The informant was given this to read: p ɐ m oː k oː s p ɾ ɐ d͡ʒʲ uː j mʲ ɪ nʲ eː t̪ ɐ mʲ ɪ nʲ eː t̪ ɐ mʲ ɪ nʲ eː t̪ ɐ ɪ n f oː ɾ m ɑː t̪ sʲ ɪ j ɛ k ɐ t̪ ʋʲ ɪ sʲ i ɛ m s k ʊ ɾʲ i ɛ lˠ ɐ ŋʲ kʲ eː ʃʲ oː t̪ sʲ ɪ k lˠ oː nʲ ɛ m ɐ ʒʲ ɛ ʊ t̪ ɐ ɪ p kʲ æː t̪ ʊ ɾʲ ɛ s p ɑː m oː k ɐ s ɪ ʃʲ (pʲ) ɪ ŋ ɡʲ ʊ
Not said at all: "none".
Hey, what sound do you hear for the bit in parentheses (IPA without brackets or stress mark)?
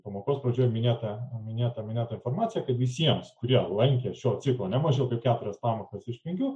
pʲ